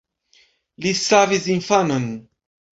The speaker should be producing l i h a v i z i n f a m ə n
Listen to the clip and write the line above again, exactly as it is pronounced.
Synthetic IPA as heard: l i s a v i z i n f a n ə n